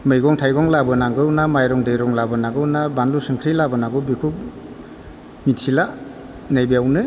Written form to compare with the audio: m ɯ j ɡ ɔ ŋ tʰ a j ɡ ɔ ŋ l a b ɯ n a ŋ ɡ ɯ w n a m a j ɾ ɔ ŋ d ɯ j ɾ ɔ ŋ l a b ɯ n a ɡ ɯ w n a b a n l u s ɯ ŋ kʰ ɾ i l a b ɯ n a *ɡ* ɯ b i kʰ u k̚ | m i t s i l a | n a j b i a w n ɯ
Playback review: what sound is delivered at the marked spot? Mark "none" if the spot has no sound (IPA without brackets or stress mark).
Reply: ɡ